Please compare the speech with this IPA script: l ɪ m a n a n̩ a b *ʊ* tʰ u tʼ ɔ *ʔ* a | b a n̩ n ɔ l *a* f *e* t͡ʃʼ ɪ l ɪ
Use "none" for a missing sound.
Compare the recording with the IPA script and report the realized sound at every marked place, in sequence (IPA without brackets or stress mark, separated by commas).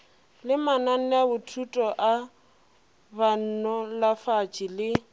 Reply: ʊ, ʔ, a, a